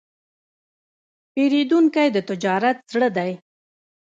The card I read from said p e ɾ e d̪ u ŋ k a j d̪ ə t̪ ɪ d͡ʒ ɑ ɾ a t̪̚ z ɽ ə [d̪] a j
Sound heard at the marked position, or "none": d̪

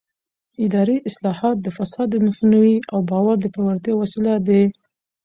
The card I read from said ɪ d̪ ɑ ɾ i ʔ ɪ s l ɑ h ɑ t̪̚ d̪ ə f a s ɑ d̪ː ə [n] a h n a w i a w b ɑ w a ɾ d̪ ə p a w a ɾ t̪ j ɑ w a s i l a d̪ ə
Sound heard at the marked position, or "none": m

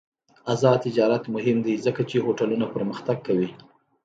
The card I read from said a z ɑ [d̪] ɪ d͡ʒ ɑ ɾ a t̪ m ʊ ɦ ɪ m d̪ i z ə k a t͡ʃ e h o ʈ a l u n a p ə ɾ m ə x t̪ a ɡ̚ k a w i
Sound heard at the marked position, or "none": t̪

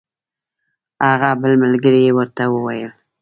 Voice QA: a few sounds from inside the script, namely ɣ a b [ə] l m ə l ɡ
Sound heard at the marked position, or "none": ə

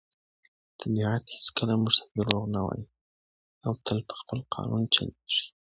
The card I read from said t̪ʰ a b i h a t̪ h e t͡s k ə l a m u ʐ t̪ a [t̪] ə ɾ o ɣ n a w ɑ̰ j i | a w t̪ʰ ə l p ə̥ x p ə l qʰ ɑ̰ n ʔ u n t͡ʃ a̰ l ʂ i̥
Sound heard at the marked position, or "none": d̪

